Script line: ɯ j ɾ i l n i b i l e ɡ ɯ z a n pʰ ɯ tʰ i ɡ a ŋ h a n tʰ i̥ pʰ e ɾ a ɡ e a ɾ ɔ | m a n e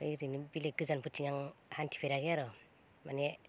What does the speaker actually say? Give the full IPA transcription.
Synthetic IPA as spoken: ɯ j ɾ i n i b i l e ɡ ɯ z a n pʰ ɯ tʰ i ŋ a ŋ h a n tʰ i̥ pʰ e ɾ a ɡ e a ɾ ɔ | m a n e